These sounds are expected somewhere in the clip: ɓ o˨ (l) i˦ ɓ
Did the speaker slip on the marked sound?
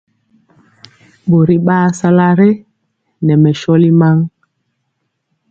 yes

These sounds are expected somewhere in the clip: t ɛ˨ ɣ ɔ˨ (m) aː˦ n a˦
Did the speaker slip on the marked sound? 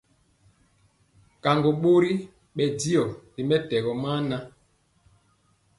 no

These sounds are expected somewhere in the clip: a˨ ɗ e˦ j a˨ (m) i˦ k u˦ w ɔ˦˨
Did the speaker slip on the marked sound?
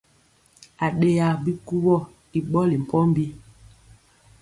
yes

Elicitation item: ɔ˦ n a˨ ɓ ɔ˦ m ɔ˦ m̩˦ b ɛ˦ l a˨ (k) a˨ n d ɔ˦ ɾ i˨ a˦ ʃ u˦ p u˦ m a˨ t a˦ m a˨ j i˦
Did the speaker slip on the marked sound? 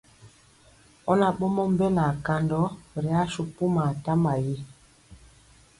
no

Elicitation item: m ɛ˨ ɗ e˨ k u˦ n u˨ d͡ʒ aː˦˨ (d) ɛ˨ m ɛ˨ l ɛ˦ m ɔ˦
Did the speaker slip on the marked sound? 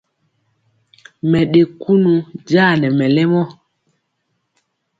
yes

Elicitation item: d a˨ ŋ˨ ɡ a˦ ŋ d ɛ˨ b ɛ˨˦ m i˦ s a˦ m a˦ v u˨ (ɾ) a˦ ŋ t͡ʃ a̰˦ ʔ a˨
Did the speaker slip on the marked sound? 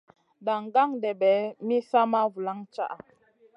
yes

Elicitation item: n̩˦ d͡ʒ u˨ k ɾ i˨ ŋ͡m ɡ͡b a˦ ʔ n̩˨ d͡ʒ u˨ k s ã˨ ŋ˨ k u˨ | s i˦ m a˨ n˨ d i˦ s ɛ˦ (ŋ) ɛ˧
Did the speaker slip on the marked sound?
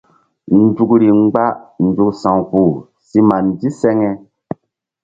no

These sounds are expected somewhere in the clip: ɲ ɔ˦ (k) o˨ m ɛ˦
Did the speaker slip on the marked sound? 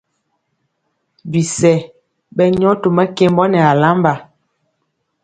yes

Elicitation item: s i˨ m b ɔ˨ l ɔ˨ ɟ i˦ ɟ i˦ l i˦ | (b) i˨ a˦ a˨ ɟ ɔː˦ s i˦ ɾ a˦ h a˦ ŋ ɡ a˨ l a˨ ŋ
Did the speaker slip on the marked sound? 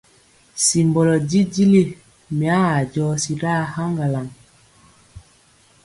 yes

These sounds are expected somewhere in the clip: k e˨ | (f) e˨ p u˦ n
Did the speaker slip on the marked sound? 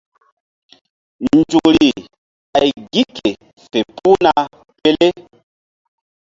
no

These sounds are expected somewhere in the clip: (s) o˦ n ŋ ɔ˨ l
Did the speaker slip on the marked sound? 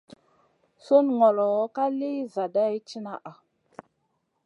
no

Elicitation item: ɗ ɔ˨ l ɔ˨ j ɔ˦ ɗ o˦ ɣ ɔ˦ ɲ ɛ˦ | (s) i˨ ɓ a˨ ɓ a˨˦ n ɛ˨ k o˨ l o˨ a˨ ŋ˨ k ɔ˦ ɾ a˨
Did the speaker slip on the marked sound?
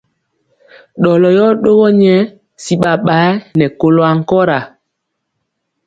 no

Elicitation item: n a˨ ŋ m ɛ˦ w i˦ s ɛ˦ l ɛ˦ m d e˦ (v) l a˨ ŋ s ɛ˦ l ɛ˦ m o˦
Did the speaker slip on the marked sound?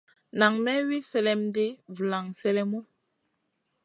no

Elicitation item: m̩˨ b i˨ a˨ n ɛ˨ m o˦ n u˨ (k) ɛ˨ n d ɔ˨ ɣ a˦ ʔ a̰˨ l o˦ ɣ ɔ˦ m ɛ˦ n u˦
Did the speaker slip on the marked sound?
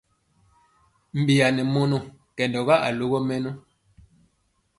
no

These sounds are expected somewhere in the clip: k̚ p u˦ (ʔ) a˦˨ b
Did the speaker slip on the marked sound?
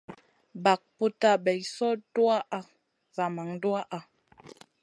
yes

